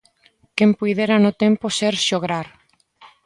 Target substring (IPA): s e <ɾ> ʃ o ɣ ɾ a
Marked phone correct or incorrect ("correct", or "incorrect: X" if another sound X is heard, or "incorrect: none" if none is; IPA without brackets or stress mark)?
correct